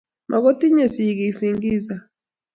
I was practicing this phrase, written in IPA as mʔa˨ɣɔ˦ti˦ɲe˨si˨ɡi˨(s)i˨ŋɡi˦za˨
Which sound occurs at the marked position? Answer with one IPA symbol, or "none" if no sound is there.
s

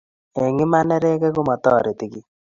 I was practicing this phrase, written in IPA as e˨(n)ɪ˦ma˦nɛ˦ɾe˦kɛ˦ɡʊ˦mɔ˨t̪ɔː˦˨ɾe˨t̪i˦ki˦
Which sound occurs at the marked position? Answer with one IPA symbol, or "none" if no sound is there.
ŋ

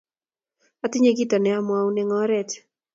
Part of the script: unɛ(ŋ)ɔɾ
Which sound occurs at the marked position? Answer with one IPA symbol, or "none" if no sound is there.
ŋ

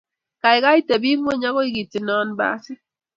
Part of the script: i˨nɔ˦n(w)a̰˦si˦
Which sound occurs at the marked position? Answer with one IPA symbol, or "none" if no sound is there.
b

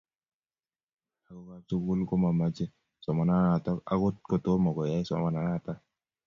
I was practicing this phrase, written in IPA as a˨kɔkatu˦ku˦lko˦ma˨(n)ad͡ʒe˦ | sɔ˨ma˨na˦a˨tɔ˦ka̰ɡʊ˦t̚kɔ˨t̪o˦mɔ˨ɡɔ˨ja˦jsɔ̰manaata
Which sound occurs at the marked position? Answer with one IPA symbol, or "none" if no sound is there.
m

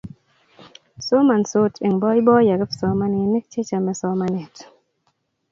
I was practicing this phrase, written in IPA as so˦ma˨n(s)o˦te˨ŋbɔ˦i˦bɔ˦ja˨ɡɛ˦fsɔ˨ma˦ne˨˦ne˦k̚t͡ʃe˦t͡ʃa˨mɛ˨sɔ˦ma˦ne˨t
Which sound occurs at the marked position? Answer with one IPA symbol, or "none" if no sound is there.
s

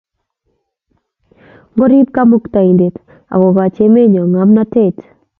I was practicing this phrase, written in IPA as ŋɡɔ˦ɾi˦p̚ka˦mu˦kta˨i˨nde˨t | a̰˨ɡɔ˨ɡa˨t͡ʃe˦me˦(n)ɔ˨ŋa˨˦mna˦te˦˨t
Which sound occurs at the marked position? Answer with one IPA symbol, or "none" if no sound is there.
ɲ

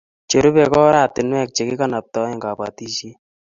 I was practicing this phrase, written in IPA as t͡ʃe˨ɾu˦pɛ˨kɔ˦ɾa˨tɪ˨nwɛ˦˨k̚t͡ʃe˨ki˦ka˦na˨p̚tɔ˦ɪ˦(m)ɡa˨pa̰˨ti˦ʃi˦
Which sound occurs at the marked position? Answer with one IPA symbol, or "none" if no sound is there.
ŋ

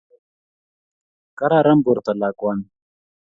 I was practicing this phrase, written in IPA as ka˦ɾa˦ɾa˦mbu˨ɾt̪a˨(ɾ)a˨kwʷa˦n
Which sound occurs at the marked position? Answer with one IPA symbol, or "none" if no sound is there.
l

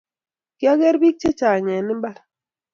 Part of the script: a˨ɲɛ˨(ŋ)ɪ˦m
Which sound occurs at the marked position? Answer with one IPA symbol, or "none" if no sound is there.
n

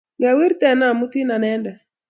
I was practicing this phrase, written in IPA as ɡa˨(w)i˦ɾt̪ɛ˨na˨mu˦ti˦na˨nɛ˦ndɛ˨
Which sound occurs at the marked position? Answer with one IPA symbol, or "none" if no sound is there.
w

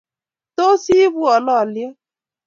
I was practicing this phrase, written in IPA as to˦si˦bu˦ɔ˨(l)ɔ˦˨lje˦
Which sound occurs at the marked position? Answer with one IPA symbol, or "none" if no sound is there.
l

